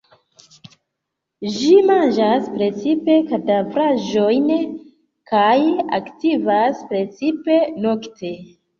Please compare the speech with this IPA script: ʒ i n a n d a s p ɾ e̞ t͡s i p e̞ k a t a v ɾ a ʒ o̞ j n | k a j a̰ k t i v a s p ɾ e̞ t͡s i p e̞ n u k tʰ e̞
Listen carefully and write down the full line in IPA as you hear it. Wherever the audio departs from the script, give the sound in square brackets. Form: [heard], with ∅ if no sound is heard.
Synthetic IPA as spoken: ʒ i [m] a n [d͡ʒ] a s p ɾ e̞ t͡s i p e̞ k a t a v ɾ a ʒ o̞ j n | k a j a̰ k t i v a s p ɾ e̞ t͡s i p e̞ n [o] k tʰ e̞